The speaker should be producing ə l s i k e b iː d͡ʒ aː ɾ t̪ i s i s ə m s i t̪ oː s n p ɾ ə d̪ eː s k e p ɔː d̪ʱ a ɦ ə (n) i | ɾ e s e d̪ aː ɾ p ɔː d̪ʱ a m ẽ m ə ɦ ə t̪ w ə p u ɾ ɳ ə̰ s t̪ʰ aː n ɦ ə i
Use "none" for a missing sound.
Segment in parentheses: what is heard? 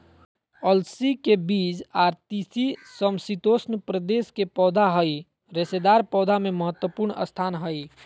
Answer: none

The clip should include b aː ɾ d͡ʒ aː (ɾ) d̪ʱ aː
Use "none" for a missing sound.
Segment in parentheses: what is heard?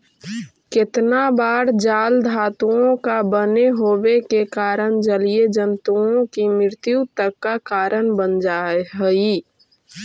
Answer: l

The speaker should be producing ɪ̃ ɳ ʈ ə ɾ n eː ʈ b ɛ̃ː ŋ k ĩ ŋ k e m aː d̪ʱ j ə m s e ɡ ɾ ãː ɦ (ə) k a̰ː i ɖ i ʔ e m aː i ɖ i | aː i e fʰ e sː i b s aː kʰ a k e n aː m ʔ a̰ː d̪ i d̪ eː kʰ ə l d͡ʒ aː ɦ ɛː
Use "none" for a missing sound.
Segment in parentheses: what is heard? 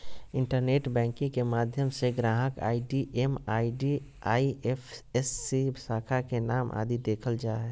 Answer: ə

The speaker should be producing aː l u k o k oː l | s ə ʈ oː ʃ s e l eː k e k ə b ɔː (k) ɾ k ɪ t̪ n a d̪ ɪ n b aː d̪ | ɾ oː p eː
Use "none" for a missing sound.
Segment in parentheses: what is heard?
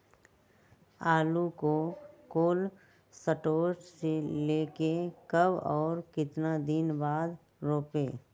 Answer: none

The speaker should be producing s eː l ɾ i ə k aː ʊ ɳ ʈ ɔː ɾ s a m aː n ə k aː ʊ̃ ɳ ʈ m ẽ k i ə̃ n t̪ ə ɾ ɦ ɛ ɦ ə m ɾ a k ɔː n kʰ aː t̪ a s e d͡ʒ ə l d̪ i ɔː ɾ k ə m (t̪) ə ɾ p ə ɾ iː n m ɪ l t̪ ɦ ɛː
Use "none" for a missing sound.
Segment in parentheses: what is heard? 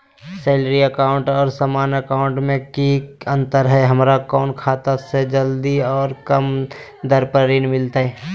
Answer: d̪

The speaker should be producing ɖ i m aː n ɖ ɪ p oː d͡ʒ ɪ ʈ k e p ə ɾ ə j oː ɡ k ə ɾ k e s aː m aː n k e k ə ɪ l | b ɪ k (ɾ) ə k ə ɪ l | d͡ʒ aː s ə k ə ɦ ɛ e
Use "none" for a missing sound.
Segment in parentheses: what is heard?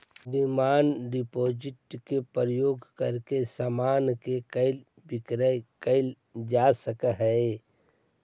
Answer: ɾ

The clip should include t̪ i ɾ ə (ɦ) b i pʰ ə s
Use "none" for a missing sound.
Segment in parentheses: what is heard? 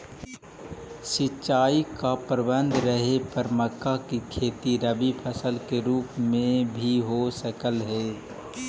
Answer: none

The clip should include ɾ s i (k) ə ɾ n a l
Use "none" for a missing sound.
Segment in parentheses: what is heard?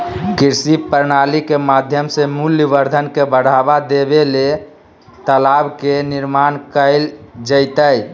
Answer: p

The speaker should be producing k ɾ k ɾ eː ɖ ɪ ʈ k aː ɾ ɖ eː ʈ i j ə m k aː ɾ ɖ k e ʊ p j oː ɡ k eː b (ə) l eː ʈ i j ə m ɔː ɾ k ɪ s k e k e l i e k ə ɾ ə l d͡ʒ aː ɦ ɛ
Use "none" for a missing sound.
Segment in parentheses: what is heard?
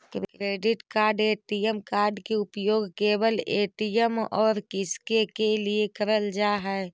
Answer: ə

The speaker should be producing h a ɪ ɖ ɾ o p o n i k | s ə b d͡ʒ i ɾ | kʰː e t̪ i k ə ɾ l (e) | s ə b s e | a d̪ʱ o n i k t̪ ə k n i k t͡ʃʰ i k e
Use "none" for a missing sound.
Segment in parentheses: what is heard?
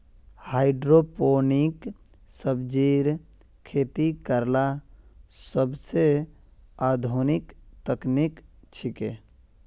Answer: a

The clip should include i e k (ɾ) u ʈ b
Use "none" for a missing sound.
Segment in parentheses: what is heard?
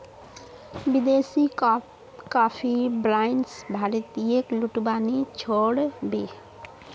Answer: l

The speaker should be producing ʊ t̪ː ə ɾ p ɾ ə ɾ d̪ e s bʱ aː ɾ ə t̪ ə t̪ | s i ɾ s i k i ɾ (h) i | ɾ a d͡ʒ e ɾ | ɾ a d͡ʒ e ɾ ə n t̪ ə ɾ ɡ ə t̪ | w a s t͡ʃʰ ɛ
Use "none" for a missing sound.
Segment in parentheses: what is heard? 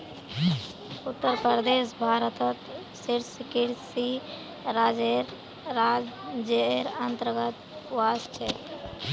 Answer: s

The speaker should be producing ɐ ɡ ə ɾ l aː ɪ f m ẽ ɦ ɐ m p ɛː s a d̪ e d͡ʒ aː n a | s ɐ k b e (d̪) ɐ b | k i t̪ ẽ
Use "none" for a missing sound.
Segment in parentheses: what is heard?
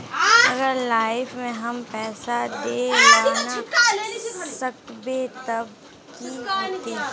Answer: t̪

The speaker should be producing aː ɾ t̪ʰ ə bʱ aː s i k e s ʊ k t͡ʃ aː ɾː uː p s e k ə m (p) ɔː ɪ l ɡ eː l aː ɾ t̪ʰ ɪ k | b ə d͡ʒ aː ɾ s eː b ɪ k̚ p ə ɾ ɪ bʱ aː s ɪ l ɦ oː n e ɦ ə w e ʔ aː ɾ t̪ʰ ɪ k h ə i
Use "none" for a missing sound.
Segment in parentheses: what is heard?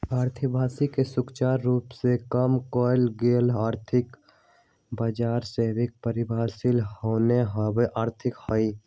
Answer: k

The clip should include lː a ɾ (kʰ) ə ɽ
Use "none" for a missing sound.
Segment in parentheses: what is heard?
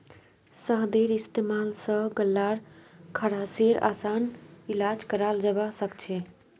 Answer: kʰ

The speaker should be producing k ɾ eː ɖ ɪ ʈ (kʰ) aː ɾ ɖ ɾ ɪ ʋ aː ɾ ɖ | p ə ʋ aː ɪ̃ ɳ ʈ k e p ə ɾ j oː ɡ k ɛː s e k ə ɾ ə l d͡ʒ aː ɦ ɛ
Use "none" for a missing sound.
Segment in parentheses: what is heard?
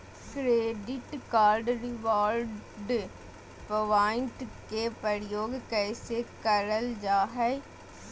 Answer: k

